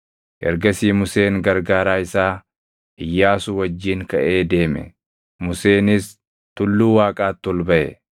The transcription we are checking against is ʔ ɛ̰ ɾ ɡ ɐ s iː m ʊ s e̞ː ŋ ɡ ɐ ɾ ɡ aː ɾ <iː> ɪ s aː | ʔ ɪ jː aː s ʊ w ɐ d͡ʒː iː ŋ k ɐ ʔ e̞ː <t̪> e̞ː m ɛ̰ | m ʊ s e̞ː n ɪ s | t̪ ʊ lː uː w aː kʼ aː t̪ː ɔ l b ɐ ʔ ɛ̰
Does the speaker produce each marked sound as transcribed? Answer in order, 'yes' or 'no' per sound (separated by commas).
no, no